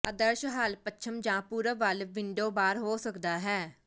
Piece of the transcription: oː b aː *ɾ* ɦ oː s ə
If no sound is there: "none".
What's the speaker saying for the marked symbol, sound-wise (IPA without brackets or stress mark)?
ɾ